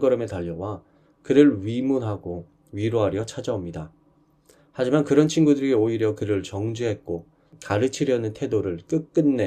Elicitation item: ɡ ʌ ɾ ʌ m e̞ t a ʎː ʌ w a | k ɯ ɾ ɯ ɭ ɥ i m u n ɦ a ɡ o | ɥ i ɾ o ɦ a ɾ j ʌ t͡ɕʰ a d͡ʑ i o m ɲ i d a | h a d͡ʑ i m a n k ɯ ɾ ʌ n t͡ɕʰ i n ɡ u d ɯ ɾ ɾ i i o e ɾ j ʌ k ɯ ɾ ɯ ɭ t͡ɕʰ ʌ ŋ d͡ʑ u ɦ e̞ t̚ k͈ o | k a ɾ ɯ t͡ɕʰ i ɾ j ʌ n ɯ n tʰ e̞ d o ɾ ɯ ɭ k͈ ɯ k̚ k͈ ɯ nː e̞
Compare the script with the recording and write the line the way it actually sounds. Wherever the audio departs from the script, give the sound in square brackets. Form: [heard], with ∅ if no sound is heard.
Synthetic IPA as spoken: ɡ ʌ ɾ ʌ m e̞ t a ʎː ʌ w a | k ɯ ɾ ɯ ɭ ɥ i m u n ɦ a ɡ o | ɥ i ɾ o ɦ a ɾ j ʌ t͡ɕʰ a d͡ʑ [a] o m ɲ i d a | h a d͡ʑ i m a n k ɯ ɾ ʌ n t͡ɕʰ i n ɡ u d ɯ ɾ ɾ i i o [i] ɾ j ʌ k ɯ ɾ ɯ ɭ [t͡ɕ] ʌ ŋ d͡ʑ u ɦ e̞ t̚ k͈ o | k a ɾ ɯ t͡ɕʰ i ɾ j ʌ n ɯ n tʰ e̞ d o ɾ ɯ ɭ k͈ ɯ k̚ k͈ ɯ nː e̞